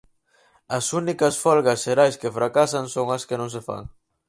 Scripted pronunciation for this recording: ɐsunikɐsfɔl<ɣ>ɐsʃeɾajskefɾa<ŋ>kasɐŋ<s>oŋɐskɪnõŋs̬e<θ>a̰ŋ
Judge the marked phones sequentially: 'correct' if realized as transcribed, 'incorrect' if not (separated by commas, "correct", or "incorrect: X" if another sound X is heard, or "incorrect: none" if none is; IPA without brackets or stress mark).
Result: correct, incorrect: none, correct, incorrect: f